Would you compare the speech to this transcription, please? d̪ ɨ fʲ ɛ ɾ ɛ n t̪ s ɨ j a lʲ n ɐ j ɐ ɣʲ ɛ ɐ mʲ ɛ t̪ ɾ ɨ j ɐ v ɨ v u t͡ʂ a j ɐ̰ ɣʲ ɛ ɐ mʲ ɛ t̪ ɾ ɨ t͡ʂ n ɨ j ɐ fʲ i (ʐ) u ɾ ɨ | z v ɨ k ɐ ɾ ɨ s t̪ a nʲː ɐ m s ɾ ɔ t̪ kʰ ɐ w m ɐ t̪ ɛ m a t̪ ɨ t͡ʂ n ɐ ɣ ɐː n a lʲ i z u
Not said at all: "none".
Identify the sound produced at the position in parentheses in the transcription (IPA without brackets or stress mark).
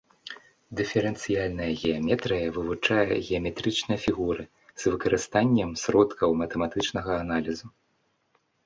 ɣ